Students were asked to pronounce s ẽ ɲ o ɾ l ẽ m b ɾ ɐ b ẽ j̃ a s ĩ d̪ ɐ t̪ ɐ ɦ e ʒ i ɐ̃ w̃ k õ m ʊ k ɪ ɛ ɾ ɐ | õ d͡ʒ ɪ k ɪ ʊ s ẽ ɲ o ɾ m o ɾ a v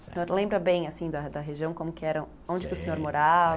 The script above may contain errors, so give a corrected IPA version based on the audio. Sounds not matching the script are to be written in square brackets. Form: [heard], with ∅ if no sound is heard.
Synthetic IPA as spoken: s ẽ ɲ o ɾ l ẽ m b ɾ ɐ b ẽ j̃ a s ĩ d̪ ɐ [d̪] ɐ ɦ e ʒ i ɐ̃ w̃ k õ m ʊ k ɪ ɛ ɾ ɐ | õ d͡ʒ ɪ k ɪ ʊ s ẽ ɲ o ɾ m o ɾ a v